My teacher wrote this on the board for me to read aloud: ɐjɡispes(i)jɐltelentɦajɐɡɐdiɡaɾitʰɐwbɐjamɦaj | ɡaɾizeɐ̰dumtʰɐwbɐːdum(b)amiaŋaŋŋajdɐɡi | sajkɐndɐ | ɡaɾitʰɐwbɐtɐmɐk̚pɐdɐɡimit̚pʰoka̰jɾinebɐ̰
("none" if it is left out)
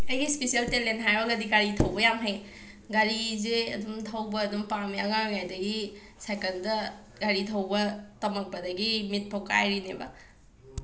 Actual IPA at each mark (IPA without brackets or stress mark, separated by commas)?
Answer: i, p